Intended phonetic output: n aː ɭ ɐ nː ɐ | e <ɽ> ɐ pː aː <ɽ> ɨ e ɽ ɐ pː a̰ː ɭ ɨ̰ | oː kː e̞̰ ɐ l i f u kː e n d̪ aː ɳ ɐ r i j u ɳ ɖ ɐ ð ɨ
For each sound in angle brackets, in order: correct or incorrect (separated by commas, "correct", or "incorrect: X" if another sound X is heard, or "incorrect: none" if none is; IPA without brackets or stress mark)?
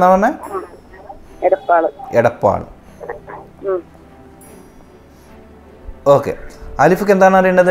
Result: correct, incorrect: ɭ